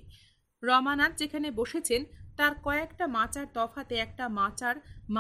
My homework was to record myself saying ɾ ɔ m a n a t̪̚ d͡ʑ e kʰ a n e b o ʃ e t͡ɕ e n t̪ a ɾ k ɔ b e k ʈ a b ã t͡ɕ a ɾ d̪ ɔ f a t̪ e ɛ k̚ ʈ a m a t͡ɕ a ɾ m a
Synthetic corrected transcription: ɾ ɔ m a n a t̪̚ d͡ʑ e kʰ a n e b o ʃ e t͡ɕʰ e n t̪ a ɾ k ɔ e k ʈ a m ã t͡ɕ a ɾ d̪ ɔ f a t̪ e ɛ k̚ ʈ a m a t͡ɕ a ɾ m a